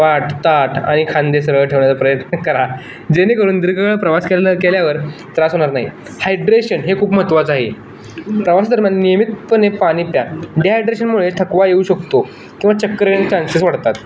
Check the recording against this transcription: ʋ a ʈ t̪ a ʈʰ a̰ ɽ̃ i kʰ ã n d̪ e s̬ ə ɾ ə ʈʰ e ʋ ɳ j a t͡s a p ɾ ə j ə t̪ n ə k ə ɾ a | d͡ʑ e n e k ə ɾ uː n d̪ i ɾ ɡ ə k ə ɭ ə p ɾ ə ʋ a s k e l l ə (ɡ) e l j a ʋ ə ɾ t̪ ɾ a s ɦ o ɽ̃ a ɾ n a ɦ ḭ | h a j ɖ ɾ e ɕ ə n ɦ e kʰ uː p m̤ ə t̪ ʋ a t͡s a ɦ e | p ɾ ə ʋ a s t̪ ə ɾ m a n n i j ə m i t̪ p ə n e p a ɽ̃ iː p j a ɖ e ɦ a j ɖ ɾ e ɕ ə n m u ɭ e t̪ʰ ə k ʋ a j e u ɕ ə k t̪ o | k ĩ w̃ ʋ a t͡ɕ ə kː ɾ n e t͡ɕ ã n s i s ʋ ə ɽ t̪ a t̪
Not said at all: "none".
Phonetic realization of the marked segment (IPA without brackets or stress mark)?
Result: k